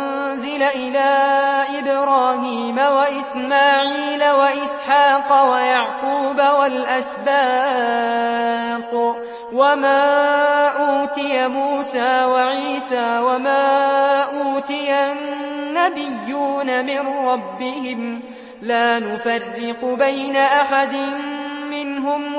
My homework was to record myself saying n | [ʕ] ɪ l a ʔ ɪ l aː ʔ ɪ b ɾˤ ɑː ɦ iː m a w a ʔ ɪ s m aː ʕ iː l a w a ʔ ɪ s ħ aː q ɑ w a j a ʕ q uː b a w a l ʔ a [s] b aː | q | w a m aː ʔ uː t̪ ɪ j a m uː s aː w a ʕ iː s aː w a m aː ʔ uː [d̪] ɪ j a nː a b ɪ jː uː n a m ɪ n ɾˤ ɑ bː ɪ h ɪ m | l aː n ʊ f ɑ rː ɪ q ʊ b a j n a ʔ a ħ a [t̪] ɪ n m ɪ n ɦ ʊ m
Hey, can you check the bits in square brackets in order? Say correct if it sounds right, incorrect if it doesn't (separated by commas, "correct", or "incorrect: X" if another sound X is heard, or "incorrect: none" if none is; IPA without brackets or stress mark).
incorrect: z, correct, incorrect: t̪, incorrect: d̪